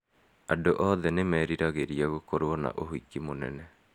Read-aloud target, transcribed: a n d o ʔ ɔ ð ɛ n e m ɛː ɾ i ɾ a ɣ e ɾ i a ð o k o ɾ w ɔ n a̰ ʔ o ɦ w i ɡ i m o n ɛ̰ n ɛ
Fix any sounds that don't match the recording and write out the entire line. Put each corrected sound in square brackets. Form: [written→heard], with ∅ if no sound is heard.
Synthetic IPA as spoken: a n d o ʔ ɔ ð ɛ n e m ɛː ɾ i ɾ a ɣ e ɾ i a [ð→ɣ] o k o ɾ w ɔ n a̰ ʔ o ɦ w i [ɡ→k] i m o n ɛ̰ n ɛ